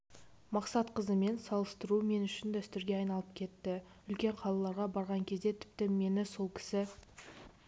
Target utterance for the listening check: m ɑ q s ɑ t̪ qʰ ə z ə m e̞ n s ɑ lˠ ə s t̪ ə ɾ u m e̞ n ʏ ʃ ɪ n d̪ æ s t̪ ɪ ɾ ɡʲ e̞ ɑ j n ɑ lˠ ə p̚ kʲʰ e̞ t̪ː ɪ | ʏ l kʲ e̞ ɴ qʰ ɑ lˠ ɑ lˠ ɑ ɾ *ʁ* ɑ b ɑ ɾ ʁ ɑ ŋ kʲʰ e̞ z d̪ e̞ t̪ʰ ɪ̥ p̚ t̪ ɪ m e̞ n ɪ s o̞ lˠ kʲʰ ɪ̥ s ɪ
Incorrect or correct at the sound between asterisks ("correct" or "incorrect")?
correct